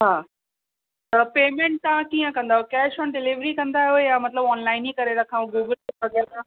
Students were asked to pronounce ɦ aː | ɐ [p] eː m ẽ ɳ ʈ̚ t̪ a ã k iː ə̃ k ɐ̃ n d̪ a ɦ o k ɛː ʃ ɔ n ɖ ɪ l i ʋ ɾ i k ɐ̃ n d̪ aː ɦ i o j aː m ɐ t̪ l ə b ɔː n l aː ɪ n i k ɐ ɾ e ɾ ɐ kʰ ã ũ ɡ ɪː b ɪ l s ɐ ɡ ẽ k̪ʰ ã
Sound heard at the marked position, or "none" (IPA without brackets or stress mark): p